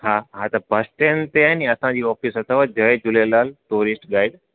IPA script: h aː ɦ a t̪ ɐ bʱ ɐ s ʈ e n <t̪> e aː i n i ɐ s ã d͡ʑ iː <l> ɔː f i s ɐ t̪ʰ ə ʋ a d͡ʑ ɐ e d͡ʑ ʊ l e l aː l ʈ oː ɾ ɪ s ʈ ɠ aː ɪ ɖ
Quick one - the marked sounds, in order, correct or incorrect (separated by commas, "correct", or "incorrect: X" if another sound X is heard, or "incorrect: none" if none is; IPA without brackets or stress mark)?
correct, incorrect: none